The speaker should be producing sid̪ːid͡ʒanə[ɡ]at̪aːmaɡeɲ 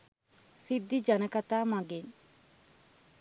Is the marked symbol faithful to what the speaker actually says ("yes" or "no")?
no